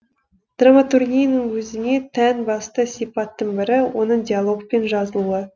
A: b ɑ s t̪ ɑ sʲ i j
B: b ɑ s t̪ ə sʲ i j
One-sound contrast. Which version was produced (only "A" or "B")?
B